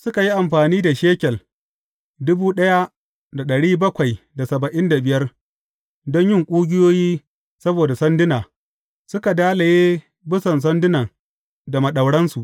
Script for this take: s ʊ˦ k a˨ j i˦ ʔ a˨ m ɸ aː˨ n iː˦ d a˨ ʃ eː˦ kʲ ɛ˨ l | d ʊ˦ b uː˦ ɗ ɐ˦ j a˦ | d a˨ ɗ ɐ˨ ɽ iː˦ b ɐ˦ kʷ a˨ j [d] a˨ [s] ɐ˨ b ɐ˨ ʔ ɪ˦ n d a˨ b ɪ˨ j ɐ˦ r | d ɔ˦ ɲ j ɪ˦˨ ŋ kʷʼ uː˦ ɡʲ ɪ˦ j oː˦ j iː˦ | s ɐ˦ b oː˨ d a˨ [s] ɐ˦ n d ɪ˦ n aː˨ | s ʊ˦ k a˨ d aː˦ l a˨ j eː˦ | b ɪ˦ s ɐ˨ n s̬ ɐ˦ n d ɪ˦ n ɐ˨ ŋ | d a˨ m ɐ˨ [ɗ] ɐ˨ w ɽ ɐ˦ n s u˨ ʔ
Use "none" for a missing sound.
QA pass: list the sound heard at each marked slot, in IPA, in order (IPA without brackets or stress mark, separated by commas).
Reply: d, s, s, ɗ